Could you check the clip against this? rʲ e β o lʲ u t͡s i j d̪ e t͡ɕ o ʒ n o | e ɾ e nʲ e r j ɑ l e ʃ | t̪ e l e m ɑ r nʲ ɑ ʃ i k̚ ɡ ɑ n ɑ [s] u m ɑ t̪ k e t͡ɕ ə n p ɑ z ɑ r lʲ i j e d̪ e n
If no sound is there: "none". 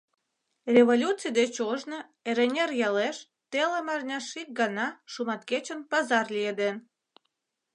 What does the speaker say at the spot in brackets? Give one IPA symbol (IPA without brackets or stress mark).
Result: ʃ